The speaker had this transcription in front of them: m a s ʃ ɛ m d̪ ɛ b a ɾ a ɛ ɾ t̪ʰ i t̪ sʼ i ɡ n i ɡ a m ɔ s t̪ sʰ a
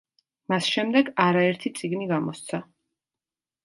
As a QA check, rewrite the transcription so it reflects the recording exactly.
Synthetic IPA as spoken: m a s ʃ ɛ m d̪ ɛ ɡ a ɾ a ɛ ɾ t̪ʰ i t̪ sʼ i ɡ n i ɡ a m ɔ s t̪ sʰ a